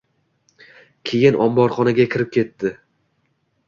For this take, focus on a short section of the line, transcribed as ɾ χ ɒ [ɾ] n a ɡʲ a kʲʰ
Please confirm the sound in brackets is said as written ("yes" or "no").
no